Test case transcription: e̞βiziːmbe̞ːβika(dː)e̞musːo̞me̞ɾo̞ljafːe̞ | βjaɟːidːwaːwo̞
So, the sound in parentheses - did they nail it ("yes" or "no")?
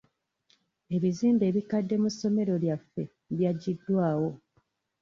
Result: yes